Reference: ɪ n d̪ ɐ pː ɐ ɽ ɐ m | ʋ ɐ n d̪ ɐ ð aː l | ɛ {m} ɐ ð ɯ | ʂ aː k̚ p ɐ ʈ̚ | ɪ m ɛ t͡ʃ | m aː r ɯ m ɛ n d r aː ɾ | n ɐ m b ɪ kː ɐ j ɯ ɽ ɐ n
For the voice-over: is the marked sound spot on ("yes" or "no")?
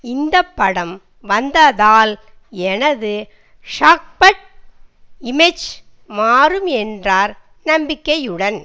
no